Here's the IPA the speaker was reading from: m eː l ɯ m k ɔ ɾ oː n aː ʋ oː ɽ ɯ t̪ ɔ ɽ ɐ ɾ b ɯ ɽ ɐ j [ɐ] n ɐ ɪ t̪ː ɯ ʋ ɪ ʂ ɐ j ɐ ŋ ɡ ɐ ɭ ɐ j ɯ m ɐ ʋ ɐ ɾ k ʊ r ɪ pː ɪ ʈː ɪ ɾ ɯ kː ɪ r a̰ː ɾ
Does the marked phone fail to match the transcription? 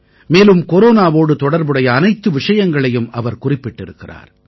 yes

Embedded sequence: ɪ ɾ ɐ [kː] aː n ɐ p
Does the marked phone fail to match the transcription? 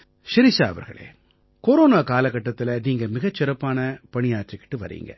yes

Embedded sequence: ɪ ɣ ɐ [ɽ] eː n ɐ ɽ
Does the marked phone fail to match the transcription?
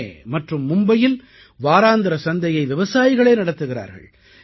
yes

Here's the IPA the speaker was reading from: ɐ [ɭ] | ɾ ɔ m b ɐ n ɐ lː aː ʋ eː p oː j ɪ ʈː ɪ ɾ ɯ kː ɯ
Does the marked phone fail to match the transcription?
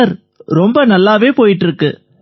yes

